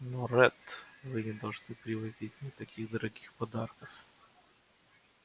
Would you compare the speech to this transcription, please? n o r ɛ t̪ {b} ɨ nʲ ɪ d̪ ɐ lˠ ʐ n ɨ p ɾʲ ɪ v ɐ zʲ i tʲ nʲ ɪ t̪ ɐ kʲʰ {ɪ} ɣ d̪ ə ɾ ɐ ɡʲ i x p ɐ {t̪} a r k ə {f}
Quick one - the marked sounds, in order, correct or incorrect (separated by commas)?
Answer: incorrect, incorrect, incorrect, correct